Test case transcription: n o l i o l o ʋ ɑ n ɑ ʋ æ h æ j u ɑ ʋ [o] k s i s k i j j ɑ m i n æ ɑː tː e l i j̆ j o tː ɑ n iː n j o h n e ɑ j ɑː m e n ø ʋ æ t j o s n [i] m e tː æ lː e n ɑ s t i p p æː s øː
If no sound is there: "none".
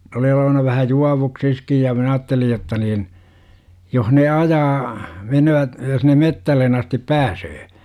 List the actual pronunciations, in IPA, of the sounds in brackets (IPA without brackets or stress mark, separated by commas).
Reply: u, e